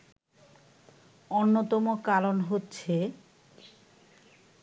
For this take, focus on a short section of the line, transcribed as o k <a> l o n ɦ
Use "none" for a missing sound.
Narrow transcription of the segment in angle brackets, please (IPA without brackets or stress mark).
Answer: a